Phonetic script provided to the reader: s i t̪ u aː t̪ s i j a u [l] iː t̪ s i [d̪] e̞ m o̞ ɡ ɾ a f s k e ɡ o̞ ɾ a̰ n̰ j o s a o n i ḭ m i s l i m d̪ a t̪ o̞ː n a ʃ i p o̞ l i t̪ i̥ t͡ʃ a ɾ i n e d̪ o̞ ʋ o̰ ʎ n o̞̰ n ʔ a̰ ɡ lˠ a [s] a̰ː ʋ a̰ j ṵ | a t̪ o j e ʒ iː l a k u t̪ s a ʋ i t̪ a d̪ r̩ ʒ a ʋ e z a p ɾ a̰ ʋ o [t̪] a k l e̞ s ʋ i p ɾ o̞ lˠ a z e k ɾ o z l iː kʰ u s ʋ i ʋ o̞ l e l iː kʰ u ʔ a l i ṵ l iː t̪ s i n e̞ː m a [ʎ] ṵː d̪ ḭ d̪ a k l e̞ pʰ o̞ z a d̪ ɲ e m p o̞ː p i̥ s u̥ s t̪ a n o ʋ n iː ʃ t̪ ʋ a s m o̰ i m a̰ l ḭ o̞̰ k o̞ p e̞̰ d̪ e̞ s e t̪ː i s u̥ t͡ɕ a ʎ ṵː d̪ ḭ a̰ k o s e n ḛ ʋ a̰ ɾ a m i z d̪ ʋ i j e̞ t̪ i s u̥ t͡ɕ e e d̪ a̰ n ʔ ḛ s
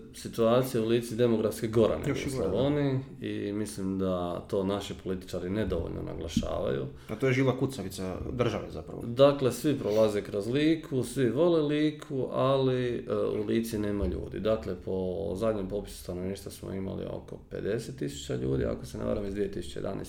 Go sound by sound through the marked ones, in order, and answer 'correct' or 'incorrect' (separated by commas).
correct, correct, incorrect, incorrect, correct